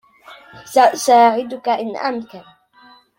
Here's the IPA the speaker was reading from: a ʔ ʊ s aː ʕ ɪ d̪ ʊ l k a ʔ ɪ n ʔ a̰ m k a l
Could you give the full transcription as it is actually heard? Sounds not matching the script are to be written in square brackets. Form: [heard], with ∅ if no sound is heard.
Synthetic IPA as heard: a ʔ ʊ s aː ʕ ɪ d̪ ʊ [∅] k a ʔ ɪ n ʔ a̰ m k a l